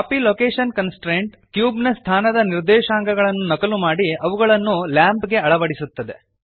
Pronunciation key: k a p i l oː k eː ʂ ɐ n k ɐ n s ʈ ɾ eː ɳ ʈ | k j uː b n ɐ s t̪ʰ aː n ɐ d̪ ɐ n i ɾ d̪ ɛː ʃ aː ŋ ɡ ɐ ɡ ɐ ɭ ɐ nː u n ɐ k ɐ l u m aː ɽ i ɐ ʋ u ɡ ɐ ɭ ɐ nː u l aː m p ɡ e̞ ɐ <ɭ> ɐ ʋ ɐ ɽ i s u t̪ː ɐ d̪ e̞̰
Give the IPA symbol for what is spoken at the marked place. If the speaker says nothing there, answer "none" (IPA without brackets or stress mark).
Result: ɭ